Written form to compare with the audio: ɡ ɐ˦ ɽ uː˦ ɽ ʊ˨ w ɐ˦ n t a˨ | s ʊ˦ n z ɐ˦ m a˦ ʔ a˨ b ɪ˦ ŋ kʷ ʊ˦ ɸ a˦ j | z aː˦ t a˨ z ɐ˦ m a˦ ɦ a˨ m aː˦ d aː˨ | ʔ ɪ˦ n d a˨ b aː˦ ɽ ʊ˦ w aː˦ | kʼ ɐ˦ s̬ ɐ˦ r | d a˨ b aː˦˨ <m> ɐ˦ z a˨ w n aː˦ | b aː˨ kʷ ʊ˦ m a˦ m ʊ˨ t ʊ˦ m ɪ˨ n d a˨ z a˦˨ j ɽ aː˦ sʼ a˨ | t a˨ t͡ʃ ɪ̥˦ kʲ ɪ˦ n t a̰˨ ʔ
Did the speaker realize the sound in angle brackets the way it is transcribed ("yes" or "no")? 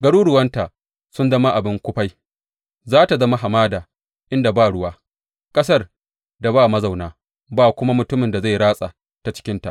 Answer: yes